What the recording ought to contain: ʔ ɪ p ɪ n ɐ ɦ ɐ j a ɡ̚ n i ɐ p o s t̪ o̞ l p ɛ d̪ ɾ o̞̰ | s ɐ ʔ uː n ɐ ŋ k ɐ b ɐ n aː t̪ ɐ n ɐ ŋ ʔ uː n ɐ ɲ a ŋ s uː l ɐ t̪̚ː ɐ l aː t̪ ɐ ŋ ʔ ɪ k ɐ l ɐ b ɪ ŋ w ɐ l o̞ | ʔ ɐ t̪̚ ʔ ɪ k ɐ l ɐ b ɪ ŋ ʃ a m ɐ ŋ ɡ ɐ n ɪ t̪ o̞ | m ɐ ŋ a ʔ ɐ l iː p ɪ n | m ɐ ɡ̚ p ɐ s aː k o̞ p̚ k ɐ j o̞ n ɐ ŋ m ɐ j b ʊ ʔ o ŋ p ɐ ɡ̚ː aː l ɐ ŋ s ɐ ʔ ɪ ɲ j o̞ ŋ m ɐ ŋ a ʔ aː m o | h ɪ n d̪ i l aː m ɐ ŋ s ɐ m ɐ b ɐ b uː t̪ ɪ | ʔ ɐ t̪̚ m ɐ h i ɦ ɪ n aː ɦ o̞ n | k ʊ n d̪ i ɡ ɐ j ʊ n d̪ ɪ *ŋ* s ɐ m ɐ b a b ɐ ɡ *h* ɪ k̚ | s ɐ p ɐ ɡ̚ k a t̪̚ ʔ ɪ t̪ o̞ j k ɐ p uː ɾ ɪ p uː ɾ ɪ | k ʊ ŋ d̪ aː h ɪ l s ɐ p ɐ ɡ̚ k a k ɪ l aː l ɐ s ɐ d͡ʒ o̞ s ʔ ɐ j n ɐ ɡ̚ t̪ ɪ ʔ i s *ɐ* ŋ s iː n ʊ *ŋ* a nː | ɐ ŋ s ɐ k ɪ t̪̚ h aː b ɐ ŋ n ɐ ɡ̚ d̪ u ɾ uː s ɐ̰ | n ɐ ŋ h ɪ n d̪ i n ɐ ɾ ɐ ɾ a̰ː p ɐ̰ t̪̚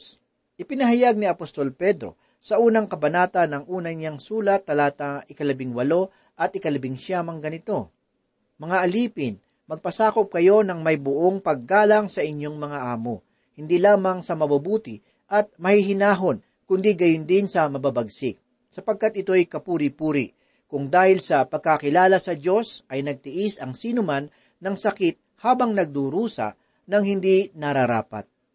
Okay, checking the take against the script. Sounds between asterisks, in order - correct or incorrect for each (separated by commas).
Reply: incorrect, incorrect, correct, incorrect